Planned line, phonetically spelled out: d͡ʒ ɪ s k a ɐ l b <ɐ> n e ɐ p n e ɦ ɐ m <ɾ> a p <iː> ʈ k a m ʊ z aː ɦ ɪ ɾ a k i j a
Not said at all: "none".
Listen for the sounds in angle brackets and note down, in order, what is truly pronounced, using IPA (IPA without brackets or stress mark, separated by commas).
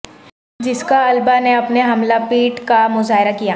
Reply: a, l, iː